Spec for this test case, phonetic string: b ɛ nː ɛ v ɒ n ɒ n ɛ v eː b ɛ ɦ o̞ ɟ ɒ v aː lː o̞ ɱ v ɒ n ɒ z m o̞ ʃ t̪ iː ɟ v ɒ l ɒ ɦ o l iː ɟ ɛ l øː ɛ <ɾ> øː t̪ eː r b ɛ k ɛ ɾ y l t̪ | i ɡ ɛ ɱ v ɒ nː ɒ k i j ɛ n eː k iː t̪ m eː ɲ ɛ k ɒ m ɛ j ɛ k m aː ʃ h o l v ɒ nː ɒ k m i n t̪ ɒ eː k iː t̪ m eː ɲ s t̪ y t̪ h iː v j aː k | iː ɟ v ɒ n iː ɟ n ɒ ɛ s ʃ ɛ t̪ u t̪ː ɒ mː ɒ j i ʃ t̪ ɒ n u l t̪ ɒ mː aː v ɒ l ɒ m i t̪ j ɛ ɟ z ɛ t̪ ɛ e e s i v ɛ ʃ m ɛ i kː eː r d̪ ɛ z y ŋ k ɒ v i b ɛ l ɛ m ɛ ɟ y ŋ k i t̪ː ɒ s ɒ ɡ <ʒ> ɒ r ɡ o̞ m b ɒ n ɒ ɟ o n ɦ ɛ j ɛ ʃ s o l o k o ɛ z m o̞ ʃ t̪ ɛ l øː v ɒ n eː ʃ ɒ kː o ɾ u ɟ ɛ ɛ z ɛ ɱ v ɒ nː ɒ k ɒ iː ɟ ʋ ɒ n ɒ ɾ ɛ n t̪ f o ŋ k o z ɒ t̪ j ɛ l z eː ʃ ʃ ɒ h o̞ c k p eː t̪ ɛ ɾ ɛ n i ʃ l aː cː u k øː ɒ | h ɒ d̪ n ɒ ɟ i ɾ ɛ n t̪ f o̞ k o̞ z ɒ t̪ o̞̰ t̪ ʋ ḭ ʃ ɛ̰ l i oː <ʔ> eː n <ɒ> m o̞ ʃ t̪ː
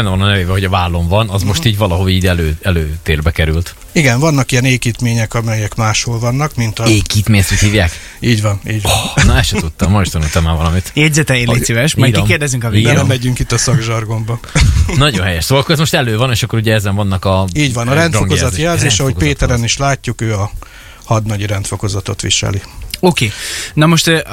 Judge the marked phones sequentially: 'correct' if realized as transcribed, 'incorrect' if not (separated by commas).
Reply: incorrect, correct, incorrect, correct